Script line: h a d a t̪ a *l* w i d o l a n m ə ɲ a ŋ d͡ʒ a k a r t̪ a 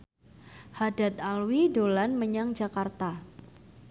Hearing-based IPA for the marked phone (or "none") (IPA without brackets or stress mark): l